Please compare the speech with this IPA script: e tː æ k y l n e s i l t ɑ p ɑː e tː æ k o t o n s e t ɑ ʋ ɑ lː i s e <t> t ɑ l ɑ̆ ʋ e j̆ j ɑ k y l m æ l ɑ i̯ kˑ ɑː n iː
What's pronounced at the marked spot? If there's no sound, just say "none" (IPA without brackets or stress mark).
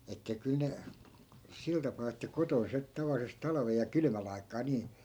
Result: s